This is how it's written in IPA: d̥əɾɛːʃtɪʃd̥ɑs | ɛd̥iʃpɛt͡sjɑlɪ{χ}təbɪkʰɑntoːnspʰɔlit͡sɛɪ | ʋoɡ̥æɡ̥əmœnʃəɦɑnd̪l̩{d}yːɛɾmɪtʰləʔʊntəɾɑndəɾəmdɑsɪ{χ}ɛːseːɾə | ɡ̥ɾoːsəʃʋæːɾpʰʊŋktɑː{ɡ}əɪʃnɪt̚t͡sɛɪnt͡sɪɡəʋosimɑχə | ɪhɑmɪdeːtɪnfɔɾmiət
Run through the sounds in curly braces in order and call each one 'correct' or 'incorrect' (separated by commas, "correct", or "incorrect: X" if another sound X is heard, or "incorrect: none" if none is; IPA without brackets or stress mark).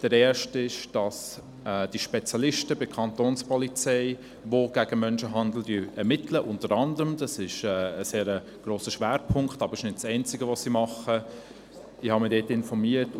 incorrect: ʃ, correct, incorrect: ʃ, incorrect: b